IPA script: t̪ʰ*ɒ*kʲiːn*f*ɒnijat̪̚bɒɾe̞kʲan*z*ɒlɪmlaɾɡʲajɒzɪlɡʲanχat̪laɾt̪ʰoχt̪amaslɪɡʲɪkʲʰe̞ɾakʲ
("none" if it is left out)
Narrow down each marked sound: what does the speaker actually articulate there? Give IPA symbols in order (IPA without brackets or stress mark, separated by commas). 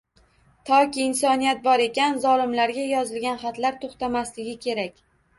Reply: ɒ, s, z